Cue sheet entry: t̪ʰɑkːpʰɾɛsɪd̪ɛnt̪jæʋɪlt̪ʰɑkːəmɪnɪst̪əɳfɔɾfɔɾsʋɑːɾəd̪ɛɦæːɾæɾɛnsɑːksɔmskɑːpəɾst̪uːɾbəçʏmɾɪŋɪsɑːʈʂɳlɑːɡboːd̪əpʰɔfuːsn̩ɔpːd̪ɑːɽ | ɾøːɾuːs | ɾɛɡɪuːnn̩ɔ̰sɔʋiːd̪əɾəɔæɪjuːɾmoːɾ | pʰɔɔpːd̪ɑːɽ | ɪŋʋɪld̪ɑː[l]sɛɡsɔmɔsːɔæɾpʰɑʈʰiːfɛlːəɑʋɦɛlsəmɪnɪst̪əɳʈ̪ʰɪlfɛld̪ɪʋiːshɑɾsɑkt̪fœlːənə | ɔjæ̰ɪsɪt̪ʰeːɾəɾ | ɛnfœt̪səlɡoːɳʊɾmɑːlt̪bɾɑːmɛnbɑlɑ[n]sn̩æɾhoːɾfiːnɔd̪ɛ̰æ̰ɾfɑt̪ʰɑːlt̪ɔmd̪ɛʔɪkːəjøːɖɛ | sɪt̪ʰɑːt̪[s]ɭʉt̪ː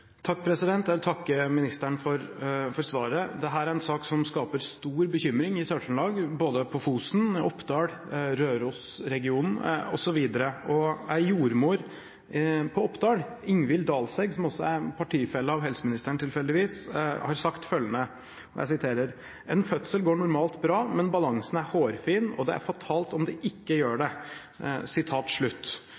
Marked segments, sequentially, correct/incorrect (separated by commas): correct, incorrect, incorrect